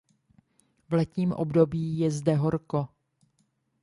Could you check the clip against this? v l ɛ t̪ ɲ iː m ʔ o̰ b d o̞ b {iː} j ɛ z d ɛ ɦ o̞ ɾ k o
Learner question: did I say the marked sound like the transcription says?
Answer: yes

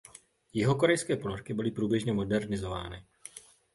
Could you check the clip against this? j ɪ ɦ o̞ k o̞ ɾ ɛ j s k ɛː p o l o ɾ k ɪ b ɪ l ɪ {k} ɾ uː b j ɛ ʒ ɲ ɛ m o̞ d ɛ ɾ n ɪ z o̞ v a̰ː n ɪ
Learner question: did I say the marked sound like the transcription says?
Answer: no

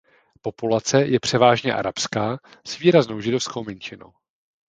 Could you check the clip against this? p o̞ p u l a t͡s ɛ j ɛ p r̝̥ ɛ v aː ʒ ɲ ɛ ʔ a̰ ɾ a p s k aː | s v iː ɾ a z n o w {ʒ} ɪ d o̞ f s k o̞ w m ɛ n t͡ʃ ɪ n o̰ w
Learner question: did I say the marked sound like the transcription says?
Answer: yes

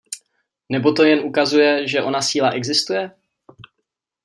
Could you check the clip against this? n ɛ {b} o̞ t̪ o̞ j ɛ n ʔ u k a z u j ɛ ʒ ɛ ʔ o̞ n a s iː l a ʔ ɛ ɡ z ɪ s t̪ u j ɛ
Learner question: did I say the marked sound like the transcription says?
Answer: yes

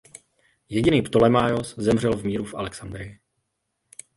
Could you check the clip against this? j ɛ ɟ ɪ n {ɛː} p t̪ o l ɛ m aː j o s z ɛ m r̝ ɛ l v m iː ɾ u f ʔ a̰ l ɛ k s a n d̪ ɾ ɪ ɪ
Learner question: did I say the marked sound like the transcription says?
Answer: no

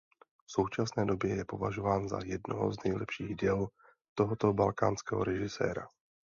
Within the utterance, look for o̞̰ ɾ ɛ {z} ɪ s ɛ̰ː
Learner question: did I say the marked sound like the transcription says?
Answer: no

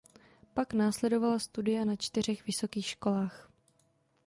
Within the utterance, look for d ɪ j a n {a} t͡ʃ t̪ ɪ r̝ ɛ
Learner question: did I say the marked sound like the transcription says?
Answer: yes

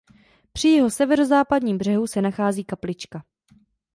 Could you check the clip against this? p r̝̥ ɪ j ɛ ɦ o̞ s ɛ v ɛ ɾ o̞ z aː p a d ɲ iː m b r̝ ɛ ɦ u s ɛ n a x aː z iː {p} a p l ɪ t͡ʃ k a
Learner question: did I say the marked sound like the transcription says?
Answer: no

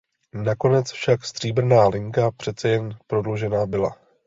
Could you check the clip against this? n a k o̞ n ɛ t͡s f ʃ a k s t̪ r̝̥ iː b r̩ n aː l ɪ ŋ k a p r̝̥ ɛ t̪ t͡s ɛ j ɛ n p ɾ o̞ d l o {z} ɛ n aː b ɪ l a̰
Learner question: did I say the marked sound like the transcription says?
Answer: no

